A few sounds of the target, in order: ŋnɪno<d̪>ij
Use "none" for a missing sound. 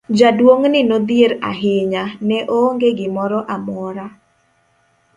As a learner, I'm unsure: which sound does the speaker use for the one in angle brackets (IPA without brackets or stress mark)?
d̪